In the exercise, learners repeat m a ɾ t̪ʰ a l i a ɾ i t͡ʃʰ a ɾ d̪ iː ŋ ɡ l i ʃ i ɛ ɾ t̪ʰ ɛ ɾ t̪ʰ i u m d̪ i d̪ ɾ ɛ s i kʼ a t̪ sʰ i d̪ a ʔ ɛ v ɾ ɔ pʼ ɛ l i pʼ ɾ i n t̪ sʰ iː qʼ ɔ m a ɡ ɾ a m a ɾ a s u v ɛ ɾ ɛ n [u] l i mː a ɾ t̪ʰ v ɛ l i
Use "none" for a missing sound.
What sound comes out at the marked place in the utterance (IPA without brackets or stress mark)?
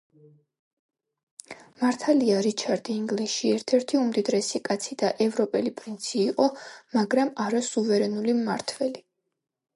u